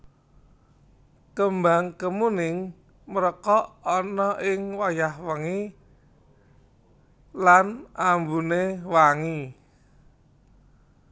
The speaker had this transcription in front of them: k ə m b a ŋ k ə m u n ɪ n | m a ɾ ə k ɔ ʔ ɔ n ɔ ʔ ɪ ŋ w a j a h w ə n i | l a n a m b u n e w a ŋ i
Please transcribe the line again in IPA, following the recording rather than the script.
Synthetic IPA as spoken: k ə m b a ŋ k ə m u n ɪ ŋ | m ə ɾ ə k ɔ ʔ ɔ n ɔ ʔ ɪ ŋ w a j a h w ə ŋ i | l a n a m b u n e w a ŋ i